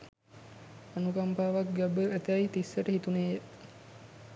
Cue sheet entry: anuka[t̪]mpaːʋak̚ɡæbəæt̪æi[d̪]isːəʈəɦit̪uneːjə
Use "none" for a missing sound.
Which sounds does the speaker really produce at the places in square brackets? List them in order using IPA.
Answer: none, t̪

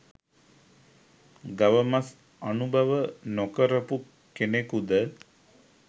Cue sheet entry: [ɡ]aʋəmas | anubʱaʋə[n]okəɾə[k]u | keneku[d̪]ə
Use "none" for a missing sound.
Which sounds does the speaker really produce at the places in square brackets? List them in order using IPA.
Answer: ɡ, n, p, d̪

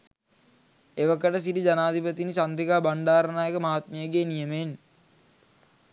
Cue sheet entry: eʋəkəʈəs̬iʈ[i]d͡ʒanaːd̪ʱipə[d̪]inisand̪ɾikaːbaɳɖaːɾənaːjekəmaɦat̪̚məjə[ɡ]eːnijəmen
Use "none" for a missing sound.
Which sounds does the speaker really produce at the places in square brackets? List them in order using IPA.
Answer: i, t̪, ɡ

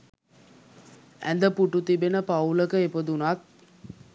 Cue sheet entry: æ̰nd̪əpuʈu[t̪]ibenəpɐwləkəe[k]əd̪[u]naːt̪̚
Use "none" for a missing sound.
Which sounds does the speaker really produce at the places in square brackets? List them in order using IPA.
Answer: t̪, p, u

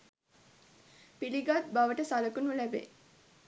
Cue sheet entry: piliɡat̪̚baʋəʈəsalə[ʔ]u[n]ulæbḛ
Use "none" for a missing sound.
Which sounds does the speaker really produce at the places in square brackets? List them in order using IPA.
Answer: k, n

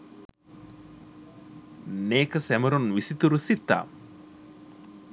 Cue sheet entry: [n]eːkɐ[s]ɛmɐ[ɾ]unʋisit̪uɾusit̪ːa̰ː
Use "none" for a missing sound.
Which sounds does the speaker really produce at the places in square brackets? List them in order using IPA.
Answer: n, s, ɾ

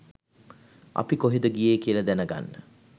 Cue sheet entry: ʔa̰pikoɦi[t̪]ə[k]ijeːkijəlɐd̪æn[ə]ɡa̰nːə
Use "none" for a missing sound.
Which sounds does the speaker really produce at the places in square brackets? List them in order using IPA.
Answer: d̪, ɡ, ə

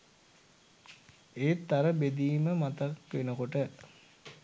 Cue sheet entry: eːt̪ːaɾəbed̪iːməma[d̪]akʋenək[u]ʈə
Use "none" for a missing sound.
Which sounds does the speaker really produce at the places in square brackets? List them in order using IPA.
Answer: t̪, o

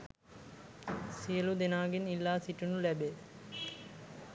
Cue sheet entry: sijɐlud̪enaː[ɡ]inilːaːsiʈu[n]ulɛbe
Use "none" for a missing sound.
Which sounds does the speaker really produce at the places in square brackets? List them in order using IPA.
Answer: ɡ, n

